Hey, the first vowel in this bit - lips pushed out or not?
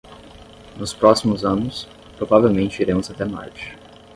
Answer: yes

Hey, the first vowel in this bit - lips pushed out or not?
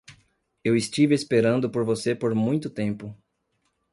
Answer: no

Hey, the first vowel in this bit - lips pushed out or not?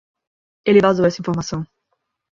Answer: no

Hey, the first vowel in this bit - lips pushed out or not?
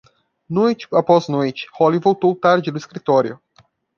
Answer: yes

